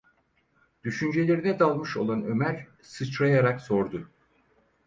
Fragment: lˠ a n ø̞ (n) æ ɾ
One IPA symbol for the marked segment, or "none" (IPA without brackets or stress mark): m